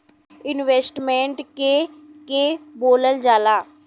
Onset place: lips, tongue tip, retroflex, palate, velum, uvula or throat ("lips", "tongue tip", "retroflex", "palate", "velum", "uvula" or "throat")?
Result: tongue tip